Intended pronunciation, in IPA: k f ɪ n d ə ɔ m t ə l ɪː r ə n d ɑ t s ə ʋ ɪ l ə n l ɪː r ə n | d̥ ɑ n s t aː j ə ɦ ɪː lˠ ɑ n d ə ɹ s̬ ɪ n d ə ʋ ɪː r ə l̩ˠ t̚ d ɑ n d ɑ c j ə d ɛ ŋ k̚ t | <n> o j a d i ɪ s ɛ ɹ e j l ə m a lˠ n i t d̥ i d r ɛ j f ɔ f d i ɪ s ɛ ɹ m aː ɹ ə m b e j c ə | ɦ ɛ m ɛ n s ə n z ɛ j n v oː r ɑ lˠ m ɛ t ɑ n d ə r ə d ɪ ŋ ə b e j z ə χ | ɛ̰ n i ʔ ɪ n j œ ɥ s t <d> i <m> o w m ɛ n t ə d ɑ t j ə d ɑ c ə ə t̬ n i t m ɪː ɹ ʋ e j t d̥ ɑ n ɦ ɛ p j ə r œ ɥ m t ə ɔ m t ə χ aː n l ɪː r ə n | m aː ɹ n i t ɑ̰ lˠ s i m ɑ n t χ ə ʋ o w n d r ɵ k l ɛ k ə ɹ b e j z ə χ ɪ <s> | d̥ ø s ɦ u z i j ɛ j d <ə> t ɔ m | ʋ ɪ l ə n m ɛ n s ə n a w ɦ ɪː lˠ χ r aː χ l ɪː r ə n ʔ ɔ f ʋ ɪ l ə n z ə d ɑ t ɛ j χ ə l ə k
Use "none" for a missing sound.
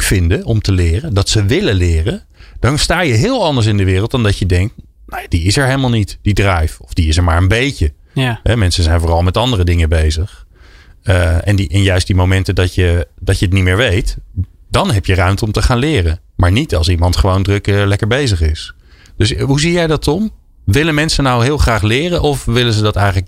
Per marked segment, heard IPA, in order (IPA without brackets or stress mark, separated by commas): n, d, m, s, ɑ